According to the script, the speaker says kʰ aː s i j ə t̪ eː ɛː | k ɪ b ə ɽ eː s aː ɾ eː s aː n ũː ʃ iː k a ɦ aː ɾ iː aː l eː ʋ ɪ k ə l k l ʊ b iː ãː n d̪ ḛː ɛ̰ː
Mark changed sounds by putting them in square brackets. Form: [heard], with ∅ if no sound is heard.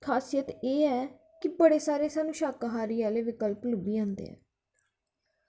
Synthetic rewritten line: kʰ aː s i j ə t̪ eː ɛː | k ɪ b ə ɽ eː s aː ɾ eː s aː n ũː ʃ [aː] k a ɦ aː ɾ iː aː l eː ʋ ɪ k ə l [p] l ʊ b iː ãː n d̪ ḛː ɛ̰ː